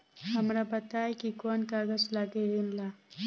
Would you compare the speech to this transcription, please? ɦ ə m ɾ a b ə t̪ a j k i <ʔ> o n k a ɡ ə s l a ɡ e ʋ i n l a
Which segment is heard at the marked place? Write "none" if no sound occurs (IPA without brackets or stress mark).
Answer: k